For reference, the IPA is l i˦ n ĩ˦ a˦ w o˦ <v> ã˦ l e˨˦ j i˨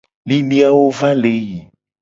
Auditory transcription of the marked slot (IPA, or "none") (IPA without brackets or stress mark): v